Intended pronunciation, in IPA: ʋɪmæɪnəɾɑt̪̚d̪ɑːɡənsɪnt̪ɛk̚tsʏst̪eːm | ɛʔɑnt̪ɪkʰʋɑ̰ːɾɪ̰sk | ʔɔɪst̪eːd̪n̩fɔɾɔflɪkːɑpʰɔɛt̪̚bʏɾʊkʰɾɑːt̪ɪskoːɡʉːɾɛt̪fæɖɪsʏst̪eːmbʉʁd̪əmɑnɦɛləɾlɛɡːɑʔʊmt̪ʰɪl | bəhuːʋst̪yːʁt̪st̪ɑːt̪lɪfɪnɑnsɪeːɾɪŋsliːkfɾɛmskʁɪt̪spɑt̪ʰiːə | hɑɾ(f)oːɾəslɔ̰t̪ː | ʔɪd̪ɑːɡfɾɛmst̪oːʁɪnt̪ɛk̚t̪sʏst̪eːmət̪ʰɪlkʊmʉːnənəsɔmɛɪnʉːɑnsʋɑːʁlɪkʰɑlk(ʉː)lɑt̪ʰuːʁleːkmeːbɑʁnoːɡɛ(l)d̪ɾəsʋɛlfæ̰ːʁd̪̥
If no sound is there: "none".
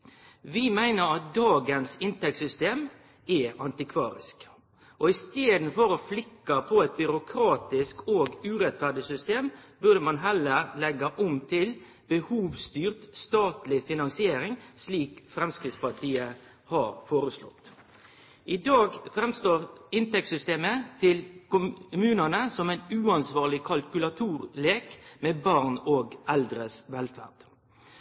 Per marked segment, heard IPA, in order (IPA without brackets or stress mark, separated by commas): f, ʉ, l